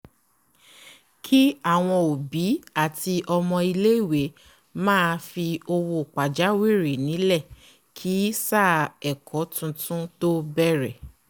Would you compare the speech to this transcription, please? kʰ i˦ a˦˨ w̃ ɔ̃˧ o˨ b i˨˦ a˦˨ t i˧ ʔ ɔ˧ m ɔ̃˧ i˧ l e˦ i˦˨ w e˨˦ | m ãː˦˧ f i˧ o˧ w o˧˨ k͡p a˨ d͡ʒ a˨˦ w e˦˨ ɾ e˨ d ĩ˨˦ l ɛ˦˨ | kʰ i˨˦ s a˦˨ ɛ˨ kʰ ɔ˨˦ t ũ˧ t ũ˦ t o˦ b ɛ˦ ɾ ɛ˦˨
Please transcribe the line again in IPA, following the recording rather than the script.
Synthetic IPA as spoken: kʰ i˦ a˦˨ w̃ ɔ̃˧ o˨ b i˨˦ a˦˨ t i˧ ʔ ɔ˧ m ɔ̃˧ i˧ l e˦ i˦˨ w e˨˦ | m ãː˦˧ f i˧ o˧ w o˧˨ k͡p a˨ d͡ʒ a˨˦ w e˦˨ ɾ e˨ n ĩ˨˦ l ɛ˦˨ | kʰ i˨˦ s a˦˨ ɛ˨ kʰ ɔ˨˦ t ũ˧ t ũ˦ t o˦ b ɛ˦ ɾ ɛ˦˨